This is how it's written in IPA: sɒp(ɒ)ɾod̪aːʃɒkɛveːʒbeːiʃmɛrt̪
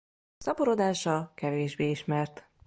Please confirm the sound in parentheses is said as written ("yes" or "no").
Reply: no